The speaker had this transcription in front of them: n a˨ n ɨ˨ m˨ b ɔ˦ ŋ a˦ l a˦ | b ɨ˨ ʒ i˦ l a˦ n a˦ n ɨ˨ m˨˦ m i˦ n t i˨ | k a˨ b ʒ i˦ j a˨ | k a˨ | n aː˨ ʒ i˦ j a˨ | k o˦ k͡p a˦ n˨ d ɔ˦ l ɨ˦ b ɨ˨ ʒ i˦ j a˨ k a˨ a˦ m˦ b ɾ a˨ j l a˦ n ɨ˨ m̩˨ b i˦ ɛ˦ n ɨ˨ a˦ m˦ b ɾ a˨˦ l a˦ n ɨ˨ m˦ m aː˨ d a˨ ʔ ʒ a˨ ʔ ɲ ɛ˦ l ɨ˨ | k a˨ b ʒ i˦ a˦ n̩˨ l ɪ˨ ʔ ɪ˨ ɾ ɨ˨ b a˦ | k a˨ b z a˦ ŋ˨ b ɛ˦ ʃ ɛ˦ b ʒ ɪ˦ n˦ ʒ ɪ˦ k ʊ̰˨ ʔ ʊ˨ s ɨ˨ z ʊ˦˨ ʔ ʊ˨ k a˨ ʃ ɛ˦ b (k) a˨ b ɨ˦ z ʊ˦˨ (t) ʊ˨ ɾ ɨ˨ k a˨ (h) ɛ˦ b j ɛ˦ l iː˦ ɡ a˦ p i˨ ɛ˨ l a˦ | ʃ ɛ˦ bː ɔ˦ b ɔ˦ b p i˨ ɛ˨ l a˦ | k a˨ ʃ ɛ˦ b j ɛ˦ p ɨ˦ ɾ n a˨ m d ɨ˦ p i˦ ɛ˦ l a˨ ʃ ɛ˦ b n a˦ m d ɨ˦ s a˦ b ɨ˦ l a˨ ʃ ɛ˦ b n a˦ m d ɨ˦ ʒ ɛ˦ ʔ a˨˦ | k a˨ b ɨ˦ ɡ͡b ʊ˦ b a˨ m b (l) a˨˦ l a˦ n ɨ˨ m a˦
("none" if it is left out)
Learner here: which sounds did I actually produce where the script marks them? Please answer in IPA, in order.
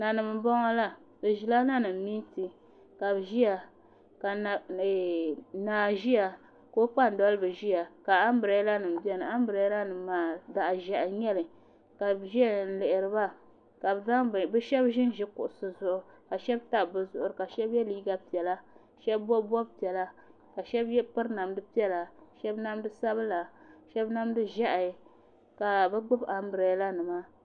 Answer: t, ʔ, ʃ, ɾ

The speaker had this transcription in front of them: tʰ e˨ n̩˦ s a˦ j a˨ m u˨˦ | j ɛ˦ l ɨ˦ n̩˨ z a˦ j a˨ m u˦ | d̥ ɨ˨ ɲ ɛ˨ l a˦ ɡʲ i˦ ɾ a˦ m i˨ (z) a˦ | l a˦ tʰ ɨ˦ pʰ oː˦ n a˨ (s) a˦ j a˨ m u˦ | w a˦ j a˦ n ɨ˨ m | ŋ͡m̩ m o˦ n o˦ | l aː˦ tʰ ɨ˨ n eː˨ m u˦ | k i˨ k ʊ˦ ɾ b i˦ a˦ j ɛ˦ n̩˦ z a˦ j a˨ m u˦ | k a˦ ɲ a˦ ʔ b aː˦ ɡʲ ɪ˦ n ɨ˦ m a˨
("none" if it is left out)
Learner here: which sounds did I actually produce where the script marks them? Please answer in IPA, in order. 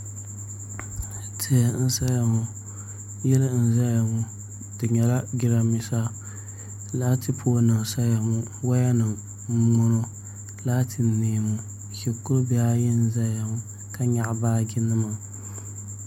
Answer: s, s

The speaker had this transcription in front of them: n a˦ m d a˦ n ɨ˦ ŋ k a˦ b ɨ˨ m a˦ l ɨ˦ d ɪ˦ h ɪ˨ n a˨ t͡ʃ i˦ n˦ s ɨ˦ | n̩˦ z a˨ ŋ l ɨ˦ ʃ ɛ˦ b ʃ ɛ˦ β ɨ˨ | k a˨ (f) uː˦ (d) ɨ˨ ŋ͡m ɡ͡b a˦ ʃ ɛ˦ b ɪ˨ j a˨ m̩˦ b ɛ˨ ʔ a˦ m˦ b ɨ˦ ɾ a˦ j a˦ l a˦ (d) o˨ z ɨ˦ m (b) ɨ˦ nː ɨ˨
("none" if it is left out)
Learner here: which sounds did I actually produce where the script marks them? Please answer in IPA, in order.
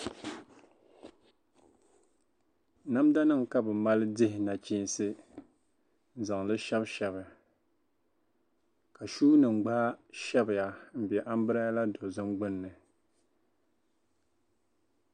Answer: ʃ, n, d, ɡ͡b

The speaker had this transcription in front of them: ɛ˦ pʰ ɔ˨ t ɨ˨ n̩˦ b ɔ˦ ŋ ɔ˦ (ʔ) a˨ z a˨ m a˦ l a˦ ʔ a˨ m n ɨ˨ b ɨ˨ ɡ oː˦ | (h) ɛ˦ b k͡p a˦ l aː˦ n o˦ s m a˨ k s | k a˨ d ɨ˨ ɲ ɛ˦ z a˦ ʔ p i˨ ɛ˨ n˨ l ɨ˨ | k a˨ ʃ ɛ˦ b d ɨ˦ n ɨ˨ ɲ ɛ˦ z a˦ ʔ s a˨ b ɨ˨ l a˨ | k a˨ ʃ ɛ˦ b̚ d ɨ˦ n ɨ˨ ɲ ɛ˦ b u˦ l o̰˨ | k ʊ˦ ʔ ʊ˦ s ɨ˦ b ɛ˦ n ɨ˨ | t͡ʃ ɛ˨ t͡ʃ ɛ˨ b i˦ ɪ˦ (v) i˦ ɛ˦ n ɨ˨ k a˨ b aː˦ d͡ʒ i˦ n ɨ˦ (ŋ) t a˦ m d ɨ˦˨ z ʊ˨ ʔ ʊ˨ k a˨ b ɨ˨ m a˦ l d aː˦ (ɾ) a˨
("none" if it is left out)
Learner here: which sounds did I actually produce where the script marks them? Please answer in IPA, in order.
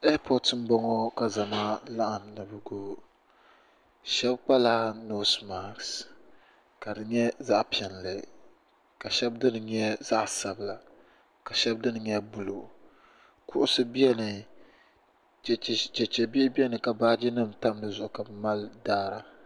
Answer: k, ʃ, b, m, ɾ

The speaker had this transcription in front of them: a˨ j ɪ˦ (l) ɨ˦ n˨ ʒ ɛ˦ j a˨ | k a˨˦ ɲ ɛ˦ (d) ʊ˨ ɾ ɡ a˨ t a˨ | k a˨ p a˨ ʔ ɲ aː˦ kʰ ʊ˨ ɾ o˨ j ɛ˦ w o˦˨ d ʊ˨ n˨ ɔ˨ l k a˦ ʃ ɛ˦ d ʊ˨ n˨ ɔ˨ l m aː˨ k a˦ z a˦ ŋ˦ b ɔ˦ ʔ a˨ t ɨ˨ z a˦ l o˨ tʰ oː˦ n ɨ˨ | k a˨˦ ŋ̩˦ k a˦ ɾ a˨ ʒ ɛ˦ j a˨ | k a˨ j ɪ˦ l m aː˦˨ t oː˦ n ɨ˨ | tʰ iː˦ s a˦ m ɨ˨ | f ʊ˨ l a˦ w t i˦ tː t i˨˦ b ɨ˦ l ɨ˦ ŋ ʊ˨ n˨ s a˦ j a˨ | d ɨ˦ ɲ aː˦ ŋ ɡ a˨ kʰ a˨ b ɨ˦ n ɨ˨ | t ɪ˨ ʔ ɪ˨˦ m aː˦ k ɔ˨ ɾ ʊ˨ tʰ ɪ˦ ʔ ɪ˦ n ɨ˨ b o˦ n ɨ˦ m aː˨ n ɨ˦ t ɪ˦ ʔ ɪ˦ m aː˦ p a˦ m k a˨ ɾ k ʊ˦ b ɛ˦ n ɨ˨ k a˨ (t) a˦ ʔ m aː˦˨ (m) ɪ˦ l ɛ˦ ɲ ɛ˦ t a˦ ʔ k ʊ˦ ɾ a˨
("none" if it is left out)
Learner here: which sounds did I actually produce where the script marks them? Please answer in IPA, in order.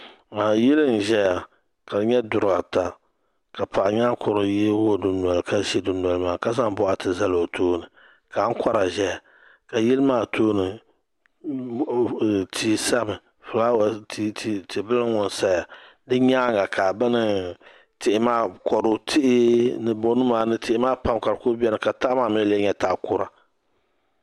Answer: l, d, t, m

